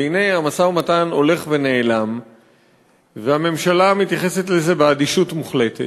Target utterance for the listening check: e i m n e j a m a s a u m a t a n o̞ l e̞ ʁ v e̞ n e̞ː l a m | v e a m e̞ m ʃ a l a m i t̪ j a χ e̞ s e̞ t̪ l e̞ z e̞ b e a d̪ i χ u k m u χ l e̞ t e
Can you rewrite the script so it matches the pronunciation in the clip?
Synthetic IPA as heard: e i n e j a m a s a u m a t a n o̞ l e̞ χ v e̞ n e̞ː l a m | v e a m e̞ m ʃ a l a m i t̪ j a χ e̞ s e̞ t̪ l e̞ z e̞ b e a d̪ i ʃ u t m u χ l e̞ t e